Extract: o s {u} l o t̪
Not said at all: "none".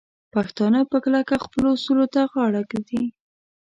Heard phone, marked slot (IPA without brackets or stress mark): u